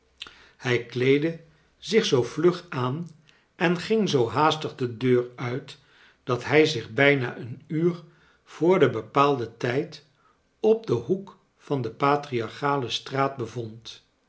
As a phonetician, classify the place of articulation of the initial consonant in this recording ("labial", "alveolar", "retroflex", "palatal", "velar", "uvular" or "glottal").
glottal